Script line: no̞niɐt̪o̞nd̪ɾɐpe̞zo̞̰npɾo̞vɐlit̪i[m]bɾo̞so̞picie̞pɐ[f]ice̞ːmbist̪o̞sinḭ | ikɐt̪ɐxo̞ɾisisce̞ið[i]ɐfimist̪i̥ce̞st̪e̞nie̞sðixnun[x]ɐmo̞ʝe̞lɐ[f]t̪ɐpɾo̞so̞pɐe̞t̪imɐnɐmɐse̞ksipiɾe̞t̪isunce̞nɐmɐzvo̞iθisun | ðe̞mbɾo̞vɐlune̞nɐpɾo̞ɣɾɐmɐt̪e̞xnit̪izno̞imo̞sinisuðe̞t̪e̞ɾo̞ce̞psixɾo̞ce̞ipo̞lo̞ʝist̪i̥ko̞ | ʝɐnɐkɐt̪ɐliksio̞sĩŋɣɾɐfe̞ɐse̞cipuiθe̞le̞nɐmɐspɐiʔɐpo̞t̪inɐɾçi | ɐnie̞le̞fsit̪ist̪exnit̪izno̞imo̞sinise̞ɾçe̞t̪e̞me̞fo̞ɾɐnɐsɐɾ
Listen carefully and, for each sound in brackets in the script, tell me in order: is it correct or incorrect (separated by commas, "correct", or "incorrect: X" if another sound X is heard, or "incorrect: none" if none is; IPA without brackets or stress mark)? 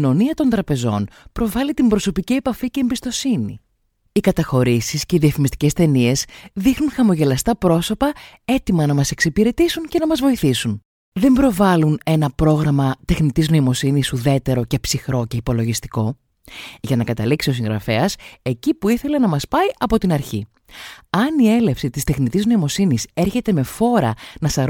correct, correct, correct, correct, incorrect: s